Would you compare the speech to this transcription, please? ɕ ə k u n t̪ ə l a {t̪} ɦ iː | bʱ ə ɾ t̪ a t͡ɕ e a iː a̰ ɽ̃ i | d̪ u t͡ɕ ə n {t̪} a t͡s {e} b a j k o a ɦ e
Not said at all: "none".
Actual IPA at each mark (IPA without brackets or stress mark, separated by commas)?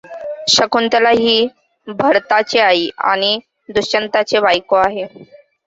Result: none, t̪, e